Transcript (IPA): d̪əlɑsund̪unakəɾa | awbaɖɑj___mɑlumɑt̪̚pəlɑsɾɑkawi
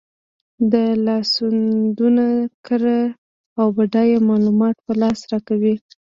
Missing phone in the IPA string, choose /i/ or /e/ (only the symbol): e